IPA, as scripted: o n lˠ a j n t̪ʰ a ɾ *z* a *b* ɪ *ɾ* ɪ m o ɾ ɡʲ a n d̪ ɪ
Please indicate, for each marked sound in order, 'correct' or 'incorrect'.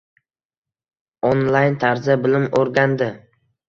correct, correct, incorrect: l

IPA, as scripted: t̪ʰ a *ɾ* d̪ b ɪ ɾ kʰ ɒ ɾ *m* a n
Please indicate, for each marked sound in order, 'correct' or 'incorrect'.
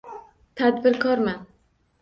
incorrect: none, correct

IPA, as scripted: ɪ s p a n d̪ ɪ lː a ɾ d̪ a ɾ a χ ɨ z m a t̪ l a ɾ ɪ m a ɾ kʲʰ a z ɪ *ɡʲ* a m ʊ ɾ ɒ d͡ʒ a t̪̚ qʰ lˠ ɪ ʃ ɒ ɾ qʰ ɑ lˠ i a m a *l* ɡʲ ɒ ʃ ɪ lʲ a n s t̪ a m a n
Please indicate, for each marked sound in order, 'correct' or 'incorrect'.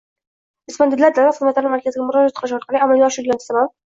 correct, correct

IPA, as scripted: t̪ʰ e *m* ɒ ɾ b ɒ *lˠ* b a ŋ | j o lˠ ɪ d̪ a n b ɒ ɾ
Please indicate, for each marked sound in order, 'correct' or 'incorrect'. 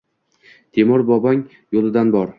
correct, incorrect: none

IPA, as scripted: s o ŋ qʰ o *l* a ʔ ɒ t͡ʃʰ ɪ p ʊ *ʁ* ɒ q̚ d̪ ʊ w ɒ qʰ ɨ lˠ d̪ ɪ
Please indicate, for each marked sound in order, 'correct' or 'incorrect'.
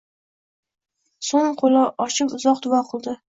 correct, incorrect: z

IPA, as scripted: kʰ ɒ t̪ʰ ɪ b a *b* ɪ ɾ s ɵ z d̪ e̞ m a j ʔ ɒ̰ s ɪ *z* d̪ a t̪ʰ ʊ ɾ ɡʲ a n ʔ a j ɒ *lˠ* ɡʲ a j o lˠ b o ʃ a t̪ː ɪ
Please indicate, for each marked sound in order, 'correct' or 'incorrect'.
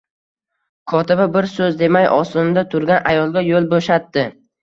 correct, incorrect: none, correct

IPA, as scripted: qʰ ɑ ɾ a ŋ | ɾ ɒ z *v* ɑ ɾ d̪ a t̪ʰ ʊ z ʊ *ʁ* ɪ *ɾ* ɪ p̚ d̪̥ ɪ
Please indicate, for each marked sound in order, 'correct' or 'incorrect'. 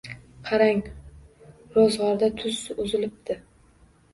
incorrect: ʁ, incorrect: z, incorrect: l

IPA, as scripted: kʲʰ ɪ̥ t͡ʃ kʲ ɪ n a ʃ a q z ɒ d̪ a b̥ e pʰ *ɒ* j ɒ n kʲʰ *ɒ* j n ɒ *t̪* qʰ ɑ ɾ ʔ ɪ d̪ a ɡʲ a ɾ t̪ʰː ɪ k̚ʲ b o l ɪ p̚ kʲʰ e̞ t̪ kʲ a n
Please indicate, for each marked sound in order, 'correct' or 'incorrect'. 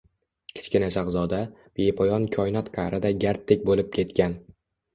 correct, correct, correct

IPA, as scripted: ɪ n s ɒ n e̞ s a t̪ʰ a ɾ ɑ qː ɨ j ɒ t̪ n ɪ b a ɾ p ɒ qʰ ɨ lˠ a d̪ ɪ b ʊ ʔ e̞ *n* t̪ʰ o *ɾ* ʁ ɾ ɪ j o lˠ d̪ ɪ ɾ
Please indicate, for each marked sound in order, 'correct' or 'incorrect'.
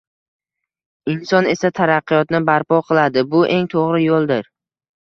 incorrect: ŋ, incorrect: none

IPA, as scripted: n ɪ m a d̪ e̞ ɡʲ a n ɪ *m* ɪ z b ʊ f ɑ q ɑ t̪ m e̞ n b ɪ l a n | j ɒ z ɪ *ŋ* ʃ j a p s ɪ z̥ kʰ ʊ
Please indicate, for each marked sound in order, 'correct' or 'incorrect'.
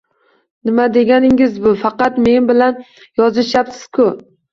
incorrect: ŋ, incorrect: none

